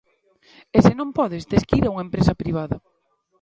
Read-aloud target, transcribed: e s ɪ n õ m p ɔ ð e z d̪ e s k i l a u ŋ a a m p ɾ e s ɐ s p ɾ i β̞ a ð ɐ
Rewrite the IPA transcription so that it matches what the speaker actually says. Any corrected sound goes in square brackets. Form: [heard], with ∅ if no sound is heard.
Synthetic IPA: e s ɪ n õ m p ɔ ð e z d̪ e s k i [ɾ] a u ŋ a [e] m p ɾ e s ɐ [∅] p ɾ i β̞ a ð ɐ